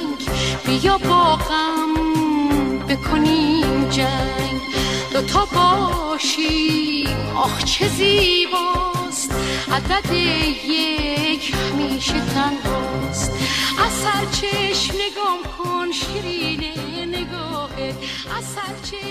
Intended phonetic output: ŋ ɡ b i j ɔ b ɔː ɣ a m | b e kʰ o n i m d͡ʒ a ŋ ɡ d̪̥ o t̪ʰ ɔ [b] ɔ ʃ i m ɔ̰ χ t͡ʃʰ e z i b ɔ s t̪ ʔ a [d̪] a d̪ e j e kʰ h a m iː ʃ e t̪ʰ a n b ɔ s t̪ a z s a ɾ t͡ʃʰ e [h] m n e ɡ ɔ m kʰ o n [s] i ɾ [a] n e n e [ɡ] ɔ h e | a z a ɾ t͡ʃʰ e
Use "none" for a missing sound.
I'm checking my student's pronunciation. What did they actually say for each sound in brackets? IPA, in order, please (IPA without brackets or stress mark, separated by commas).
b, d̪, ʃ, ʃ, i, ɡ